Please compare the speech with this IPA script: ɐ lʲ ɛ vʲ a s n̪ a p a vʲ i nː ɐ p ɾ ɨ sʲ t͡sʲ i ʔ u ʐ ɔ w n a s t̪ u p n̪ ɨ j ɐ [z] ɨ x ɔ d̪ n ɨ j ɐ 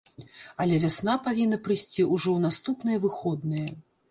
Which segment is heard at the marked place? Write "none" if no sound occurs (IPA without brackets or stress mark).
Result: v